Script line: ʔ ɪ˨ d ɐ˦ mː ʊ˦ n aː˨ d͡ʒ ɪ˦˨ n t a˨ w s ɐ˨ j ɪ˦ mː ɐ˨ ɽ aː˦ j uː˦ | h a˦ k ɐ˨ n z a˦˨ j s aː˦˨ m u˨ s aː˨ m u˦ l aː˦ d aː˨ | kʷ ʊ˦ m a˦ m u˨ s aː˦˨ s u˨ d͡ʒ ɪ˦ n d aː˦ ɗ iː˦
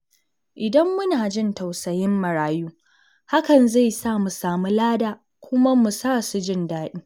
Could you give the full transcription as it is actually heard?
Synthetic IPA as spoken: ʔ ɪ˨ d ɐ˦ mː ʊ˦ n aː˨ d͡ʒ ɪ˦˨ n t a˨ w s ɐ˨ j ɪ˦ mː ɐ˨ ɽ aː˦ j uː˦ | h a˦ k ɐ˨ n z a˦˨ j s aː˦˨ m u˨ s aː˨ m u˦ l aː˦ d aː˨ | kʷ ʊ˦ m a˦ m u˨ s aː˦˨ s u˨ d͡ʒ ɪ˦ n d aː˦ ɗ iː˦

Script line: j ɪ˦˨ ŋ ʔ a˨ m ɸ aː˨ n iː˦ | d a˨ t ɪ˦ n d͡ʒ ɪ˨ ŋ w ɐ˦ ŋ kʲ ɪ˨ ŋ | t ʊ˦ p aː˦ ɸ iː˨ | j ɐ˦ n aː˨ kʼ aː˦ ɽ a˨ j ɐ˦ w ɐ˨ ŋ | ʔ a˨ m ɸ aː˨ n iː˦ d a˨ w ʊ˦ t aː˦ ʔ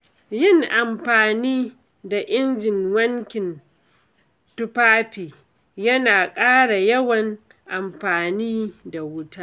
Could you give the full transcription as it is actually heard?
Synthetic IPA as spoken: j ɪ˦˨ ŋ ʔ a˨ m ɸ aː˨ n iː˦ | d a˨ ʔ ɪ˦ n d͡ʒ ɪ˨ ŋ w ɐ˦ ŋ kʲ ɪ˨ n | t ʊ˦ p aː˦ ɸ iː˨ | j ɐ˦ n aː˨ kʼ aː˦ ɽ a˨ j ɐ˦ w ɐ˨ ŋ | ʔ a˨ m ɸ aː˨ n iː˦ d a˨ w ʊ˦ t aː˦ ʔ

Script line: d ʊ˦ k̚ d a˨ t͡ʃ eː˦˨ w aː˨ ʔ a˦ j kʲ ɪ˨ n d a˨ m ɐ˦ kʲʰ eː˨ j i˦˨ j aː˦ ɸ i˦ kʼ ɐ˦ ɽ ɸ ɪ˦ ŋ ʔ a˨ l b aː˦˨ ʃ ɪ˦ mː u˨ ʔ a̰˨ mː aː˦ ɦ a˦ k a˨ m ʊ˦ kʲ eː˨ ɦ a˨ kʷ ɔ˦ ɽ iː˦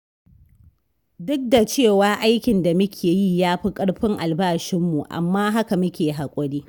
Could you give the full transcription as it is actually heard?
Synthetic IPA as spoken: d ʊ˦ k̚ d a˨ t͡ʃ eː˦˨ w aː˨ ʔ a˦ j kʲ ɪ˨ n d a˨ m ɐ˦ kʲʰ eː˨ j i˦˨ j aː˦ ɸ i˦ kʼ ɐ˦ ɽ ɸ ɪ˦ ŋ ʔ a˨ l b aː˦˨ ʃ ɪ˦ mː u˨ ʔ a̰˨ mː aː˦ ɦ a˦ k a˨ m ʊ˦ kʲ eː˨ ɦ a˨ kʷʼ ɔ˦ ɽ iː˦

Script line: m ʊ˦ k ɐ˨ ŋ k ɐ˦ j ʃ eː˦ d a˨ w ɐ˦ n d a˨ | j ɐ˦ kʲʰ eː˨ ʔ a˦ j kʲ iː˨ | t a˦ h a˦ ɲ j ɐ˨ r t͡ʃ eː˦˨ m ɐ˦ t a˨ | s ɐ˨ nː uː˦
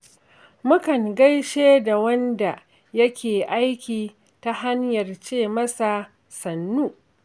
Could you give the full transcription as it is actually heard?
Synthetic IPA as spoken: m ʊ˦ k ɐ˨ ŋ ɡ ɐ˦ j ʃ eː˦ d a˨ w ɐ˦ n d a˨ | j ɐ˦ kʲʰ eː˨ ʔ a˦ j kʲ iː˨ | t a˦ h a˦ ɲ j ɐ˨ r t͡ʃ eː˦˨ m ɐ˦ s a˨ | s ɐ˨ nː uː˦

